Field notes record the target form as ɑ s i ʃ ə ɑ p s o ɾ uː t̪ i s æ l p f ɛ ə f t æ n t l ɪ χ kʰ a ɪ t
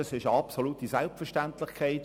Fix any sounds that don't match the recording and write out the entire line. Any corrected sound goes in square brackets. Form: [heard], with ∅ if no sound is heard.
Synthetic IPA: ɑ s [ɪ] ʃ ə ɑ p s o [l] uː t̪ i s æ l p f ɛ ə [ʃ] t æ n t l ɪ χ kʰ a ɪ t